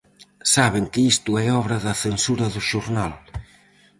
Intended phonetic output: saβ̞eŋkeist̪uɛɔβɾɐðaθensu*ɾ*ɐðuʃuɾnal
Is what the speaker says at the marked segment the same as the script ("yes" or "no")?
yes